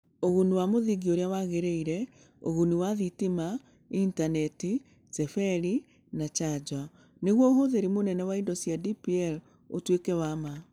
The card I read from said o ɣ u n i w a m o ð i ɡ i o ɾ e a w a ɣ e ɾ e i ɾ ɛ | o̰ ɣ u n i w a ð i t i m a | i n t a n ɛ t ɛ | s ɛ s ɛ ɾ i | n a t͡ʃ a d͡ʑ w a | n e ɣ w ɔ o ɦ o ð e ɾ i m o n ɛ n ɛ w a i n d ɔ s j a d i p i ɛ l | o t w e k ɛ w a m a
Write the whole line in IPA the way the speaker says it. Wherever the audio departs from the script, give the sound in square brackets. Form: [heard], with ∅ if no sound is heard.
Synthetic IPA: o ɣ u n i w a m o ð i ɡ i o ɾ e a w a ɣ e ɾ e i ɾ ɛ | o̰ ɣ u n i w a ð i t i m a | i n t a n ɛ t [i] | s ɛ [f] ɛ ɾ i | n a t͡ʃ a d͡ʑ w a | n e ɣ w ɔ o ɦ o ð e ɾ i m o n ɛ n ɛ w a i n d ɔ s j a d i p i ɛ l | o t w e k ɛ w a m a